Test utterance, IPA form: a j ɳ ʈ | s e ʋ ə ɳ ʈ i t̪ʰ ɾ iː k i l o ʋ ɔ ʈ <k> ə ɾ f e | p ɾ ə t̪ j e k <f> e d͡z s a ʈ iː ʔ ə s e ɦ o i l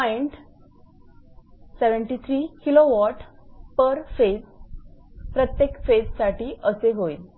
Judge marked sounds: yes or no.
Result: no, yes

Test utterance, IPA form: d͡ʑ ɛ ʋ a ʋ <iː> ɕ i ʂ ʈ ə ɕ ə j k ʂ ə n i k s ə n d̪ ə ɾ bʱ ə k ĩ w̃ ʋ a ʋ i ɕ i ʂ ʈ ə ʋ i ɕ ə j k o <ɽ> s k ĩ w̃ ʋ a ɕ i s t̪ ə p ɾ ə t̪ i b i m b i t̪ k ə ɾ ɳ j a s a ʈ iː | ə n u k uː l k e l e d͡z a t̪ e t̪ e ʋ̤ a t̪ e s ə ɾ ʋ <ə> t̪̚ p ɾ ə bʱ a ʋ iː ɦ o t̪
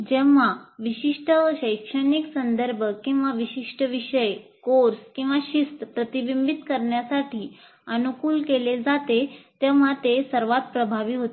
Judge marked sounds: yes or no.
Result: no, no, no

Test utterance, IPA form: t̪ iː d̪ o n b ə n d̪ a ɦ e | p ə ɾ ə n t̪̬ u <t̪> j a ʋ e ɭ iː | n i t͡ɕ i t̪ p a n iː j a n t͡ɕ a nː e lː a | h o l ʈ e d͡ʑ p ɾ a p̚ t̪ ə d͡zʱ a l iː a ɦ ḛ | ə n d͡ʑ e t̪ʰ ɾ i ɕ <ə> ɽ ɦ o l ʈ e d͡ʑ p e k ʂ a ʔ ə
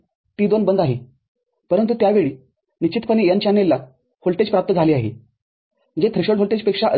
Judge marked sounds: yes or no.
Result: yes, yes

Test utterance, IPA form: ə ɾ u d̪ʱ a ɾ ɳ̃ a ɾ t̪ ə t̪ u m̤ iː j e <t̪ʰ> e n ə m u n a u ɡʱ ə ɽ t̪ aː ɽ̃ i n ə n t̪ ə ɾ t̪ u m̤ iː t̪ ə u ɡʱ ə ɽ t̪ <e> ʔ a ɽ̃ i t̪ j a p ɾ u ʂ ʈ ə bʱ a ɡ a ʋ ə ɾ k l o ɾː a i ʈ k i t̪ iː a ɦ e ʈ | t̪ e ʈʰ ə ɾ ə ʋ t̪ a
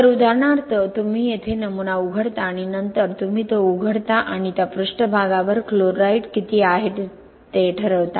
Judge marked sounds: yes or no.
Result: yes, no

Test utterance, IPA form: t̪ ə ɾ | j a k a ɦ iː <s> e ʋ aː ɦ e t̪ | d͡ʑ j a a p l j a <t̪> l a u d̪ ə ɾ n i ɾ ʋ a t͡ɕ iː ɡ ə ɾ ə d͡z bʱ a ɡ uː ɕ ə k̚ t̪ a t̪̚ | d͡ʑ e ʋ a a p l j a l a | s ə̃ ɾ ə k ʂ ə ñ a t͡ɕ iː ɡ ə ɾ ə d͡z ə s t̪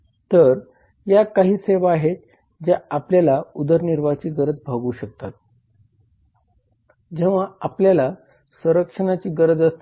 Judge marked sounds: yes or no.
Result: yes, no

